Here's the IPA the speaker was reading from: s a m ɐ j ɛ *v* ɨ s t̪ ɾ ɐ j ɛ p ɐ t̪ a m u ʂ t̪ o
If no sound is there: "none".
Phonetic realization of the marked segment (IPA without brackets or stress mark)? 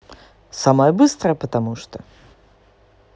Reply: b